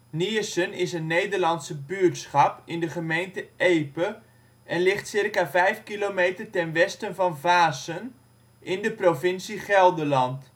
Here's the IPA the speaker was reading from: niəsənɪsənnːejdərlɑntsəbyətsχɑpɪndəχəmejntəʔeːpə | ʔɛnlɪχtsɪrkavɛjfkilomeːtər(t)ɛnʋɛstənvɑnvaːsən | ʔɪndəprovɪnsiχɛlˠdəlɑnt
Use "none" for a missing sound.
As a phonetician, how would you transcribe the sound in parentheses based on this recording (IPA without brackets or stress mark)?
t